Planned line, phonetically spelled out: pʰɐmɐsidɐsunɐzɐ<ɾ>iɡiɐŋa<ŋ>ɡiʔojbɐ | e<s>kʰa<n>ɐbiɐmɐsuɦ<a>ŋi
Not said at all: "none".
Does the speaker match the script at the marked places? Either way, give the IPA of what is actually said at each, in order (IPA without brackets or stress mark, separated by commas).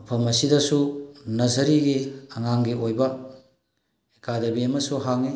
ɾ, ŋ, none, d, a